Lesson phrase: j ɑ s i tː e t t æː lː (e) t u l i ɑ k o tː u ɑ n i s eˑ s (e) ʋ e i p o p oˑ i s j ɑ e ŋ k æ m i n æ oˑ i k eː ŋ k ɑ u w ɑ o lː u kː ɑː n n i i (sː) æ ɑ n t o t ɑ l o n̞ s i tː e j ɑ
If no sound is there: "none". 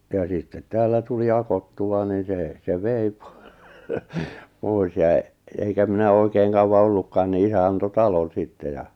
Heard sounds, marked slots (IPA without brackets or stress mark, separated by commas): æ, e, s